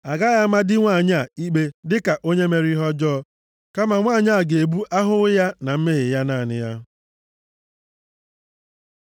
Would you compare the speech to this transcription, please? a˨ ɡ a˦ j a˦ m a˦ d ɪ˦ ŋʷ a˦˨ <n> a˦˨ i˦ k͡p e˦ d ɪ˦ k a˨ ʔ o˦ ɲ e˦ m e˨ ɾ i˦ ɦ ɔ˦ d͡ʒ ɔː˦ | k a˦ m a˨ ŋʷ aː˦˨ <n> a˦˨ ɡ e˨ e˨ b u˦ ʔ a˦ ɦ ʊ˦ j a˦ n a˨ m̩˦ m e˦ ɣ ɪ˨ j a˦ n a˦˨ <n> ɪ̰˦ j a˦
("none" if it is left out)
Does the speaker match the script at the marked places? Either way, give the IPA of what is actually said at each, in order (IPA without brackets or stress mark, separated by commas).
ɲ, ɲ, n